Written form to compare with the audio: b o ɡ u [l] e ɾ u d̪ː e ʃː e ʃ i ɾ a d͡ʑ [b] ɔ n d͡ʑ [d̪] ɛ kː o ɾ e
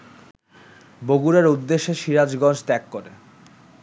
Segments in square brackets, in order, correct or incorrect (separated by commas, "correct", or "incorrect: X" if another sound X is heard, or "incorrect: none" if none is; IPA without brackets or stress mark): incorrect: ɾ, incorrect: ɡ, incorrect: t̪